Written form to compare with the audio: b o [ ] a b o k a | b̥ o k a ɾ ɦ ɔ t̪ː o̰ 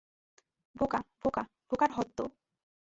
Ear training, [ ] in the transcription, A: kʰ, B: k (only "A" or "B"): B